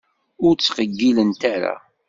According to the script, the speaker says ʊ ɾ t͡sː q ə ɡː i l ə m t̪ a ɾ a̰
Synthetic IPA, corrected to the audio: ʊ ɾ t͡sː q ə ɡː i l ə n t̪ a ɾ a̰